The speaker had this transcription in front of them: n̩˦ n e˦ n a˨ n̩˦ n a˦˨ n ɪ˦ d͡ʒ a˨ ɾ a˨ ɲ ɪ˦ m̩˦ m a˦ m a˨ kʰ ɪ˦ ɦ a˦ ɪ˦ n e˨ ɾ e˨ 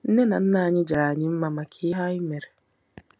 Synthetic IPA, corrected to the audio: n̩˦ n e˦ n a˨ n̩˦ n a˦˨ ɲ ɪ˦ d͡ʒ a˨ ɾ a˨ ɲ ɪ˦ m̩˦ m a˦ m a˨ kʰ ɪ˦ ɦ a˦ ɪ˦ m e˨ ɾ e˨